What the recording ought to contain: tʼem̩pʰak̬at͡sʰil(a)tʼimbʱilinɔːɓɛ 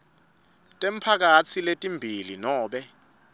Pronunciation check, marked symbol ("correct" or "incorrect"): incorrect